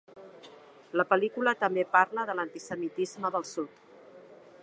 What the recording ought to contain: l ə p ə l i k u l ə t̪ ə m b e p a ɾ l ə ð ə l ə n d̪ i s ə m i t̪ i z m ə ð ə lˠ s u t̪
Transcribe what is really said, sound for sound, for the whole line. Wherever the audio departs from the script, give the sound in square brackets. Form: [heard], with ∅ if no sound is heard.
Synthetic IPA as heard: l ə p ə l i k u l ə t̪ ə m b e p a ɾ l ə ð ə l ə n [t̪] i s ə m i t̪ i z m ə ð ə lˠ s u t̪